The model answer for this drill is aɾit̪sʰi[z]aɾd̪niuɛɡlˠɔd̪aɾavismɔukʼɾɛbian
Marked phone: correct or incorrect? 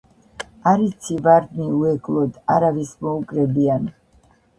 incorrect